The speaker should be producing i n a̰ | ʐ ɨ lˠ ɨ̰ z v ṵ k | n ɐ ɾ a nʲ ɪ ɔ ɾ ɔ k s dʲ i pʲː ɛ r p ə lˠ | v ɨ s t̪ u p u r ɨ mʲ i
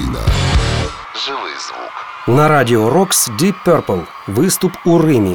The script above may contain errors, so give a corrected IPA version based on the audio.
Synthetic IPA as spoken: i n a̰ | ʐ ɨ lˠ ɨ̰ z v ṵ k | n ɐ ɾ a dʲ ɪ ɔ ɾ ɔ k s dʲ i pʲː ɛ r p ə lˠ | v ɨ s t̪ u p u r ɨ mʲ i